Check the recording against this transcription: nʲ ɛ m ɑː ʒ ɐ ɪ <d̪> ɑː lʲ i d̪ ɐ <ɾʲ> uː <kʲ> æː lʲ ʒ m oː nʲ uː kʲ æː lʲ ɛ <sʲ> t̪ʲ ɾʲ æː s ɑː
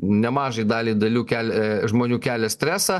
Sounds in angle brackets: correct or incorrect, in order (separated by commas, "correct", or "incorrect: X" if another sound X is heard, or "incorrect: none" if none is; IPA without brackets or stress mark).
correct, incorrect: lʲ, correct, correct